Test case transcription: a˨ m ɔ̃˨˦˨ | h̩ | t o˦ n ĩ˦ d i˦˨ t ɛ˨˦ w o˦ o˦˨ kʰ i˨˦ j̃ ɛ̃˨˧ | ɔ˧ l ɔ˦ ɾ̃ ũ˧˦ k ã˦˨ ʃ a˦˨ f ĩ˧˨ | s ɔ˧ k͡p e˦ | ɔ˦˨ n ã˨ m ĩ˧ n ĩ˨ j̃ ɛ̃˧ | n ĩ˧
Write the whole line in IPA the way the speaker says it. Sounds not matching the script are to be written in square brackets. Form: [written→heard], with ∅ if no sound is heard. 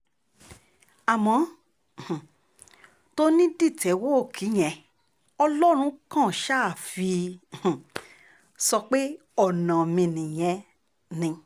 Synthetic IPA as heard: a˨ m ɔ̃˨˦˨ | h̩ | t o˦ n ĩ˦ d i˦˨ t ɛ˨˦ w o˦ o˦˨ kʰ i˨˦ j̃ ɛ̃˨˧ | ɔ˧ l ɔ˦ ɾ̃ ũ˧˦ k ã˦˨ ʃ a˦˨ f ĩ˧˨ | s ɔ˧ k͡p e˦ | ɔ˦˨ n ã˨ m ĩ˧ n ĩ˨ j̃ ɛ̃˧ | n ĩ˧

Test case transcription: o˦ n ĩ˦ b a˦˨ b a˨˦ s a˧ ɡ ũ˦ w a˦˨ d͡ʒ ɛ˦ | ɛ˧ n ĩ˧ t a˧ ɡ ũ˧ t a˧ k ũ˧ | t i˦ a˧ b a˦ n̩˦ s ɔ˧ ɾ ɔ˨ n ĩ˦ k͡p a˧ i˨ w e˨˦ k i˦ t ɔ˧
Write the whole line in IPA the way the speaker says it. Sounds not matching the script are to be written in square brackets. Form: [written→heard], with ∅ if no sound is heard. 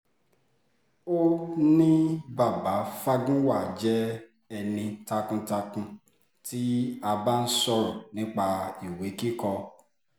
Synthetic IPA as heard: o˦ n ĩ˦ b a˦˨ b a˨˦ [s→f] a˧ ɡ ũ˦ w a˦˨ d͡ʒ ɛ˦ | ɛ˧ n ĩ˧ t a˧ [ɡ→k] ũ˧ t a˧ k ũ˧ | t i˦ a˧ b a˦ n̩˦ s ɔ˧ ɾ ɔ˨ n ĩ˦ k͡p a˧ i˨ w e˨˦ k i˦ [t→k] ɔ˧

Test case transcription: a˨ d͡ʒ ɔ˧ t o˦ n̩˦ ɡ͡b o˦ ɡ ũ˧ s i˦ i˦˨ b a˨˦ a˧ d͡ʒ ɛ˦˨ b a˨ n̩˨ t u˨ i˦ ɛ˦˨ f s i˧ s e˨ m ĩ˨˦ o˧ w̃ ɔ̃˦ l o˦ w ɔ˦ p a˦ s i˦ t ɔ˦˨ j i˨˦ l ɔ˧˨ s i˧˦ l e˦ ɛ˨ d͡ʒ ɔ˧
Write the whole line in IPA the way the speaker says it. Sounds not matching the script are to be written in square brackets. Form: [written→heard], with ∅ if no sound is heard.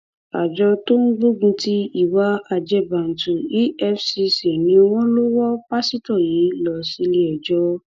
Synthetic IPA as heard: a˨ d͡ʒ ɔ˧ t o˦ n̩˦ ɡ͡b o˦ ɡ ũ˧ [s→t] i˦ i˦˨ [b→w] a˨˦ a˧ d͡ʒ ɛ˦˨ b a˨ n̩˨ t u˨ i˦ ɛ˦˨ f s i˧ s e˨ [m→n] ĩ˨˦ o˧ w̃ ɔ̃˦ l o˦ w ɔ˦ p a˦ s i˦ t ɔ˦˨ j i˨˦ l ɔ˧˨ s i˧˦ l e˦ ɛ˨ d͡ʒ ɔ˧

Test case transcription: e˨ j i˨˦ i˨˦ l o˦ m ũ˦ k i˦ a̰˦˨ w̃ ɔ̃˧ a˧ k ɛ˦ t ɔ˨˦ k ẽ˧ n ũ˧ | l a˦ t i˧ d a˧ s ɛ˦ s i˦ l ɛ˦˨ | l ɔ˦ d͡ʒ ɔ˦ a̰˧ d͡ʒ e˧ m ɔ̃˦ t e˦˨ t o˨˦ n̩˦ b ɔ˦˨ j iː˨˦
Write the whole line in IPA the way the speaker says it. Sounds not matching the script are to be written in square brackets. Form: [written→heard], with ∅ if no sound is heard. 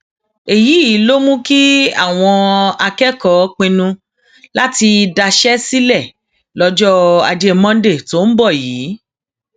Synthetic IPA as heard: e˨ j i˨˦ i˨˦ l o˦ m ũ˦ k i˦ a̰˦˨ w̃ ɔ̃˧ a˧ k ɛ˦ [t→k] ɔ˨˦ [k→k͡p] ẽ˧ n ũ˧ | l a˦ t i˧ d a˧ [s→ʃ] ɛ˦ s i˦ l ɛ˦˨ | l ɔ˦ d͡ʒ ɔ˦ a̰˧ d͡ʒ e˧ m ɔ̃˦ [t→d] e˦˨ t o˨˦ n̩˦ b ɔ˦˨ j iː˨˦

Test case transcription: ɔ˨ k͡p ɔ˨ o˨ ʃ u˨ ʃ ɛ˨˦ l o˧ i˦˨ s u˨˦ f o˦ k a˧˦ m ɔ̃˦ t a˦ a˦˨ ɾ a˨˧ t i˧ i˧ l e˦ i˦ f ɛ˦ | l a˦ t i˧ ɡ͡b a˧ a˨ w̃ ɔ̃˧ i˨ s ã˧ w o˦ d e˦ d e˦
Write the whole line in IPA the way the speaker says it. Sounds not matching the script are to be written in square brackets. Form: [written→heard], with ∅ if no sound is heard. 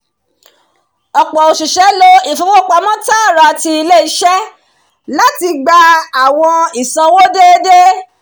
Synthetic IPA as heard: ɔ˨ k͡p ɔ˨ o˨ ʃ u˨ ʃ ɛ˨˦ l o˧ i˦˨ [s→f] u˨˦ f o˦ [k→k͡p] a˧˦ m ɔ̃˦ t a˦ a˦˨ ɾ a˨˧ t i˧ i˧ l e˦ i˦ [f→ʃ] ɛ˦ | l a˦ t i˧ ɡ͡b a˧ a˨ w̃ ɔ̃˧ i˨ s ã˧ w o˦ d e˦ d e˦

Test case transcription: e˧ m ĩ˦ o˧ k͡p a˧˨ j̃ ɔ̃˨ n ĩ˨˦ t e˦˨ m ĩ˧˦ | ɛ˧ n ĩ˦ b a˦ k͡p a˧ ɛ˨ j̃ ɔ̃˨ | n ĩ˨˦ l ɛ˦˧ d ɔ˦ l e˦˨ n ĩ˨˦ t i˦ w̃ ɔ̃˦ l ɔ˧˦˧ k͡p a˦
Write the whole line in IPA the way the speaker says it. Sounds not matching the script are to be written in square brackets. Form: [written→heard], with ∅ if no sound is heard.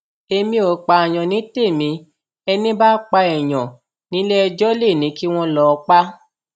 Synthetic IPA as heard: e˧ m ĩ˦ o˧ k͡p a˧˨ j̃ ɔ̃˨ n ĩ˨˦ t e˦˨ m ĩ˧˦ | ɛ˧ n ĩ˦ b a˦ k͡p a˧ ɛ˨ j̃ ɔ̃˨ | n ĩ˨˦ l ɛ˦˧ [d→d͡ʒ] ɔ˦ l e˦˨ n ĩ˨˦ [t→k] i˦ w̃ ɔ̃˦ l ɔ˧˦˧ k͡p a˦

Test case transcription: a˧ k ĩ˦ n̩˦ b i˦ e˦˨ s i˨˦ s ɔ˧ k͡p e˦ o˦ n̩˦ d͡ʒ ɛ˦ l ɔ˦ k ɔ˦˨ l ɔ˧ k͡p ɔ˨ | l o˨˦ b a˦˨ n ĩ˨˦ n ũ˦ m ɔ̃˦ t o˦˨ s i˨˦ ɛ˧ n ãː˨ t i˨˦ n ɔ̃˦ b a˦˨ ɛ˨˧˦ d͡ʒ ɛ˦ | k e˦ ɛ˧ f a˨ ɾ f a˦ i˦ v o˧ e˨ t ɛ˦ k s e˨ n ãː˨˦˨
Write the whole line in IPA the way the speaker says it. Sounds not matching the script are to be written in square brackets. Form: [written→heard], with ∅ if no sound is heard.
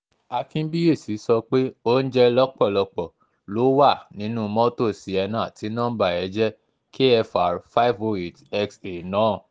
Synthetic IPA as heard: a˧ k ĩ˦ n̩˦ b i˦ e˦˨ s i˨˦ s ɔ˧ k͡p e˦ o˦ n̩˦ d͡ʒ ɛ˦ l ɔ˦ [k→k͡p] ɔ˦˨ l ɔ˧ k͡p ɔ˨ | l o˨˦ [b→w] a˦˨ n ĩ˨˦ n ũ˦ m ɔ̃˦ t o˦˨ s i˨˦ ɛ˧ n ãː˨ t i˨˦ n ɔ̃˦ b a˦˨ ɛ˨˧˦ d͡ʒ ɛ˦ | k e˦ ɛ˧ f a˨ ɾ f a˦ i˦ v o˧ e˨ t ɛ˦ k s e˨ n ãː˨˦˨

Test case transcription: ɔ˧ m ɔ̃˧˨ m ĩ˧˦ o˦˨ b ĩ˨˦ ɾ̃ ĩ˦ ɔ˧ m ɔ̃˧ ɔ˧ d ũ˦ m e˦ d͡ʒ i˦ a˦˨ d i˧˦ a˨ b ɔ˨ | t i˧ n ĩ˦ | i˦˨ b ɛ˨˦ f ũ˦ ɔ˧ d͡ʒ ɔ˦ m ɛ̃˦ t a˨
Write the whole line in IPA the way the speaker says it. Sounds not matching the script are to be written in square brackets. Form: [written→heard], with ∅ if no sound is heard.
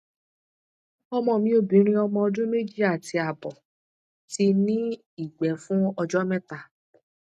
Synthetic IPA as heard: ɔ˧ m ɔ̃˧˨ m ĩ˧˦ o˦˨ b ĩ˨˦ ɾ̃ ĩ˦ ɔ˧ m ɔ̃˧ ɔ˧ d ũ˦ m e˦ d͡ʒ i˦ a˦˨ [d→t] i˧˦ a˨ b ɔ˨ | t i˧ n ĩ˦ | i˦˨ [b→ɡ͡b] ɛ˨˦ f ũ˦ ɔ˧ d͡ʒ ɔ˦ m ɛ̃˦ t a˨

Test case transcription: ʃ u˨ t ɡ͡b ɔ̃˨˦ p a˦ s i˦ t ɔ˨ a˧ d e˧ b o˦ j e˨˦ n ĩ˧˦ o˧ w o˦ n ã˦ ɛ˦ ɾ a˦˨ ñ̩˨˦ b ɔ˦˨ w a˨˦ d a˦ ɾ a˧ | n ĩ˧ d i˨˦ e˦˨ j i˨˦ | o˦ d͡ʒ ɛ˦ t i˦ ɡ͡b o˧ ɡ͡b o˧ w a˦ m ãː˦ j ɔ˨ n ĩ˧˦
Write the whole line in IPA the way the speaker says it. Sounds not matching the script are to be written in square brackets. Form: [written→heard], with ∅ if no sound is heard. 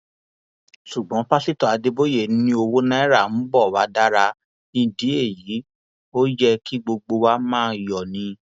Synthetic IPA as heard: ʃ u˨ [t→∅] ɡ͡b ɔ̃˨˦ p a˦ s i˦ t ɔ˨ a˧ d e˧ b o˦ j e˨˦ n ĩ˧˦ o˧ w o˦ n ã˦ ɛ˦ ɾ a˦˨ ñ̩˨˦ b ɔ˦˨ w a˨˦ d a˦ ɾ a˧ | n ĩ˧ d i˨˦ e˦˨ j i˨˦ | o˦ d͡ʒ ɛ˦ [t→k] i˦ ɡ͡b o˧ ɡ͡b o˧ w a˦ m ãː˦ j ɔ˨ n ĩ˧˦

